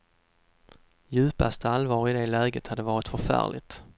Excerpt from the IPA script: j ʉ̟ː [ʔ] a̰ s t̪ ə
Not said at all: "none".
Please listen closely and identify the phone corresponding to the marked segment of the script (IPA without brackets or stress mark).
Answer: p